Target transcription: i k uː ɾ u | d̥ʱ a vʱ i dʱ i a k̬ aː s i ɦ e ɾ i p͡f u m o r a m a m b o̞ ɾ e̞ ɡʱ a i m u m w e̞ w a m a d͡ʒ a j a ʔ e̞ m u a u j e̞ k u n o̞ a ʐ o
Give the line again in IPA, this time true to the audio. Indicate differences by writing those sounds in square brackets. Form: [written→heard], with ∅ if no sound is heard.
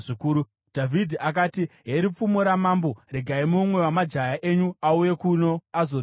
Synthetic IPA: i k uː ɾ u | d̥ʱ a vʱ i dʱ i a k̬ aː [s→t] i ɦ e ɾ i p͡f u m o [r→ɾ] a m a m b o̞ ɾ e̞ ɡʱ a i m u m w e̞ w a m a d͡ʒ a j a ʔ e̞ [m→ɲ] u a u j e̞ k u n o̞ a [ʐ→z] o